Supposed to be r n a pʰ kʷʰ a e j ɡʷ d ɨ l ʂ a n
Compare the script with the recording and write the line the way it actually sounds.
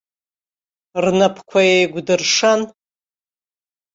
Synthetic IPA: r n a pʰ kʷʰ a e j ɡʷ d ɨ r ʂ a n